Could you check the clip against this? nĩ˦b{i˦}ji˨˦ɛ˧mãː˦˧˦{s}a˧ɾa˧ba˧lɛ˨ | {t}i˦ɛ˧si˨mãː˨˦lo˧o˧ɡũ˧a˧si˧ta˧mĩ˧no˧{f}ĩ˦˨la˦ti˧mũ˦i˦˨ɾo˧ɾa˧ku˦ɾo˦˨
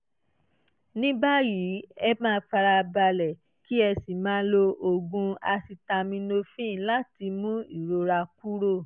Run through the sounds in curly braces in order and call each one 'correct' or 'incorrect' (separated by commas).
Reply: incorrect, incorrect, incorrect, correct